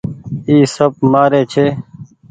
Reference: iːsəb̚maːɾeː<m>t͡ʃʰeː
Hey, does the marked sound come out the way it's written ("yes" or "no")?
no